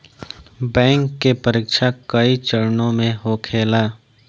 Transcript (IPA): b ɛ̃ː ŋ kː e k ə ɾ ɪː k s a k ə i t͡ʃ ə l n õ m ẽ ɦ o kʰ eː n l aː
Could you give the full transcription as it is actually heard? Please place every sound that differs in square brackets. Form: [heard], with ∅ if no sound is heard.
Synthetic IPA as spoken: b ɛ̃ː ŋ kː e [p] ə ɾ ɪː k [ʃ] a k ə i t͡ʃ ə [ɾ] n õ m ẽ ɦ o kʰ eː [∅] l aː